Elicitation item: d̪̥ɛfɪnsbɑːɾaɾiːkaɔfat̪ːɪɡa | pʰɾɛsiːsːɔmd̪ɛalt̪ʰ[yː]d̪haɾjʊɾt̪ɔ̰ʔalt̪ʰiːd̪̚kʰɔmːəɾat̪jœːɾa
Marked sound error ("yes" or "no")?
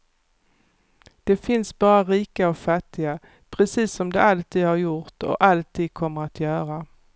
yes